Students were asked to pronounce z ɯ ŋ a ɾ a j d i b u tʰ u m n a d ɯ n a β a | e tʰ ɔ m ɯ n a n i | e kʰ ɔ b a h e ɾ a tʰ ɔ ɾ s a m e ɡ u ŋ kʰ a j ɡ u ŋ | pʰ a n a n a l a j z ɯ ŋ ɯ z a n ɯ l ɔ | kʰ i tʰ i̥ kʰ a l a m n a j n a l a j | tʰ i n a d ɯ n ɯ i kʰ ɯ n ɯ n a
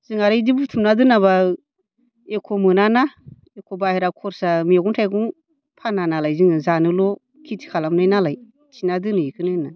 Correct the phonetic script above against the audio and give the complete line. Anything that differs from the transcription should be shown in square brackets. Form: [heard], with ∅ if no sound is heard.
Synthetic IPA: z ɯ ŋ a ɾ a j d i b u tʰ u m n a d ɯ n a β a | e [kʰ] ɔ m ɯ n a n [a] | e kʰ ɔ b a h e ɾ a [kʰ] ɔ ɾ s a m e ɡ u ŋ [tʰ] a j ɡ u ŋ | pʰ a n a n a l a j z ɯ ŋ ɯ z a n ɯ l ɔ | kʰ i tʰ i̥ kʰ a l a m n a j n a l a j | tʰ i n a d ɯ n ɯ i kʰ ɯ n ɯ n a